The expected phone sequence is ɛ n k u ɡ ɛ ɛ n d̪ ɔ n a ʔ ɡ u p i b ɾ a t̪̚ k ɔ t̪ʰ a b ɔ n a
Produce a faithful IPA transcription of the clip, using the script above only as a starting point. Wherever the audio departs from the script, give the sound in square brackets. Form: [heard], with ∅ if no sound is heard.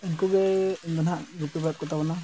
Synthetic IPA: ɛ n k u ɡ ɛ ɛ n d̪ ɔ n a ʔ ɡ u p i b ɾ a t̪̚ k ɔ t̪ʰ a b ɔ n a